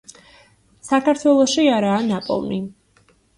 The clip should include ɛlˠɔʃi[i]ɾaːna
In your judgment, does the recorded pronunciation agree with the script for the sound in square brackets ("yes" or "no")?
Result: no